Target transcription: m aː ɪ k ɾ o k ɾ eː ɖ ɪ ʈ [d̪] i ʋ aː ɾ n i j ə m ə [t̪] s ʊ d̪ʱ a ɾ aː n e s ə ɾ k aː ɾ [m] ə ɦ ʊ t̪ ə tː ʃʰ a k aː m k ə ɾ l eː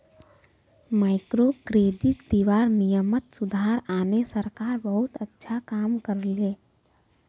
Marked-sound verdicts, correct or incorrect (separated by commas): correct, correct, incorrect